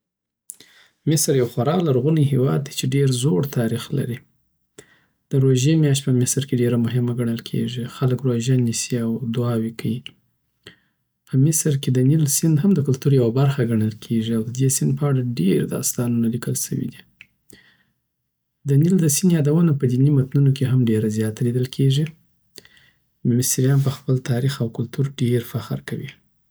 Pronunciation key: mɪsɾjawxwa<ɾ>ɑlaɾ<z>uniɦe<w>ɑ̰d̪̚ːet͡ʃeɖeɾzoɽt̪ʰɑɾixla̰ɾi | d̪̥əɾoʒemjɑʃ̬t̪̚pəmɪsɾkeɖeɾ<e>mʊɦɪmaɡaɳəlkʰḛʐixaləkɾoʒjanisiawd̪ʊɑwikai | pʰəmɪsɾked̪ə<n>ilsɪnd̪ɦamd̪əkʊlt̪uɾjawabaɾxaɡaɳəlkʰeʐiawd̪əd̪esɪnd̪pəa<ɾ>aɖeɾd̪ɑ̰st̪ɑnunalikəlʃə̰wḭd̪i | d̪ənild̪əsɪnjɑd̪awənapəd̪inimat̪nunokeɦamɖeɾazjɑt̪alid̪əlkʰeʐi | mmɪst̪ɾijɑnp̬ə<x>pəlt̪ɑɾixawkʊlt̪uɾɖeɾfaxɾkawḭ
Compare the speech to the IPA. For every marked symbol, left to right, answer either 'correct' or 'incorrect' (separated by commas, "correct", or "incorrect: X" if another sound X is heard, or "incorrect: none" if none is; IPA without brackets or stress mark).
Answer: correct, incorrect: ɣ, correct, incorrect: a, correct, incorrect: ɽ, correct